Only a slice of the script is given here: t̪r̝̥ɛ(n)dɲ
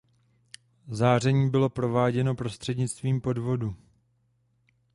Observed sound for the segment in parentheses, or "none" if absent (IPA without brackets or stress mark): none